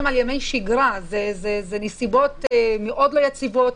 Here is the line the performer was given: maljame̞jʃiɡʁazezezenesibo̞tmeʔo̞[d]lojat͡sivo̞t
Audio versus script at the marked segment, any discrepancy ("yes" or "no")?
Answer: no